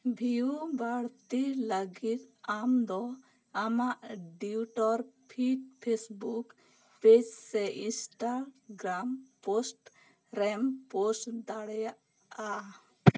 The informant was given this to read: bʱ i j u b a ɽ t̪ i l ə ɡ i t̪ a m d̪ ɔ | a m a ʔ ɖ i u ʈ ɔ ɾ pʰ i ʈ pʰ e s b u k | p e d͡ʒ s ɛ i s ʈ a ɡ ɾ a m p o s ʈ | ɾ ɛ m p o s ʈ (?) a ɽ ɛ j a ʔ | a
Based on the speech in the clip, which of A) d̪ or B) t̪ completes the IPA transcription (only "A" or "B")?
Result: A